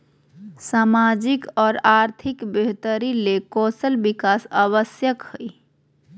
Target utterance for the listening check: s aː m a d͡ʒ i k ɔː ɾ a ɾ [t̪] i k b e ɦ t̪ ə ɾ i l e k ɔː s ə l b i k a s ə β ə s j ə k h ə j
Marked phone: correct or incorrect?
incorrect: t̪ʰ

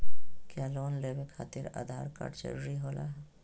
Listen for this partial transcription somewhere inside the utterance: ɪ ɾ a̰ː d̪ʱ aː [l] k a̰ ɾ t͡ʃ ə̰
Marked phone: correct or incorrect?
incorrect: ɾ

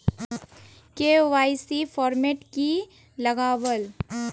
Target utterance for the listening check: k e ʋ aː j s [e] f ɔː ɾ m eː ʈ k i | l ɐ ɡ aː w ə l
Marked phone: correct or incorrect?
incorrect: i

